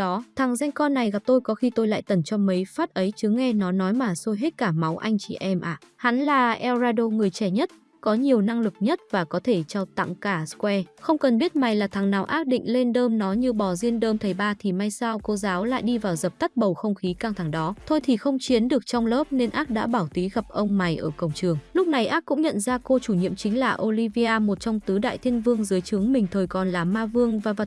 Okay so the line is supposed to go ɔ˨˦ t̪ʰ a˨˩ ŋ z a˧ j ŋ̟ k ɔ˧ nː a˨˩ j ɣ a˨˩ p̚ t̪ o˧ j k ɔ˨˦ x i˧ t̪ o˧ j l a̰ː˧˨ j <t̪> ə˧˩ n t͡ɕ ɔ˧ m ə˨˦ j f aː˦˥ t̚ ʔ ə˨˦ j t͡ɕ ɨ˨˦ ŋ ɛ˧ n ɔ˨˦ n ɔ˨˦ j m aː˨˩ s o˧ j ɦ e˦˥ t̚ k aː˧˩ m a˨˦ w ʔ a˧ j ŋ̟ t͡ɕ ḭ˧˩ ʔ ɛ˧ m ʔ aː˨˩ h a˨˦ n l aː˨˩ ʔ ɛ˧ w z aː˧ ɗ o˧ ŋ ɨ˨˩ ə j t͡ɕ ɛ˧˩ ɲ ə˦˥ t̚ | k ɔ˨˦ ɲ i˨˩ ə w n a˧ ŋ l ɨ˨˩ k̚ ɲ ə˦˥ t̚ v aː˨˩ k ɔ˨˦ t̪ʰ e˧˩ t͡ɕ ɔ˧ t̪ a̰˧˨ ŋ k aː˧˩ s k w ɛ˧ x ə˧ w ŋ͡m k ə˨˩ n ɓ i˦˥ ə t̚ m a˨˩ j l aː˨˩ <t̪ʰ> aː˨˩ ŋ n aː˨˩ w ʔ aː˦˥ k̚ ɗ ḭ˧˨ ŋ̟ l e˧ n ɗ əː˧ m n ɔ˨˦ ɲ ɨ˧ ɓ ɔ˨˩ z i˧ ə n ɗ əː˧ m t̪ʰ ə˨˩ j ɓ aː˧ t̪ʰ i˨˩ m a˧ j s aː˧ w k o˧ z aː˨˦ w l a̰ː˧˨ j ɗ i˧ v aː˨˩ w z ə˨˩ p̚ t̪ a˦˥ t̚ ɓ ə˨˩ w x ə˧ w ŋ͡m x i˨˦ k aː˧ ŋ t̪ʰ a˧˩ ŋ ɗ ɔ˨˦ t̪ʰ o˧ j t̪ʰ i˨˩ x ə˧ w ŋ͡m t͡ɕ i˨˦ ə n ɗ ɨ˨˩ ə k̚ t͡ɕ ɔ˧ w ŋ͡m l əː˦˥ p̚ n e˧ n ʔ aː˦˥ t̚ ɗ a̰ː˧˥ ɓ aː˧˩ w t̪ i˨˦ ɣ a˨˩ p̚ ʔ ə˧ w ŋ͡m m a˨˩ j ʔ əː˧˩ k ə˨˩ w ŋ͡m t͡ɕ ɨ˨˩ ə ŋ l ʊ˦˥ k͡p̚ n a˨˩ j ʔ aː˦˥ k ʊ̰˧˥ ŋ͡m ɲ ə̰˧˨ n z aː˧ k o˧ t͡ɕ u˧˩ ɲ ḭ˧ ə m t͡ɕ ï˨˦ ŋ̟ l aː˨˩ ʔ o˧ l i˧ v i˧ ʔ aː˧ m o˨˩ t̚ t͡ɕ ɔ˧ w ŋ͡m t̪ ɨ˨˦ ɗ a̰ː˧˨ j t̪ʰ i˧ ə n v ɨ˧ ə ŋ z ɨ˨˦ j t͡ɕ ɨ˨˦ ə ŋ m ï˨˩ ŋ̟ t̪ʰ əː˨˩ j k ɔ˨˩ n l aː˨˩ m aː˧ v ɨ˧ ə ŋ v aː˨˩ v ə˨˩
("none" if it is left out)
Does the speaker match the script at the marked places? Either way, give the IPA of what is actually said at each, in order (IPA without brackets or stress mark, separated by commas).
t̪, t̪ʰ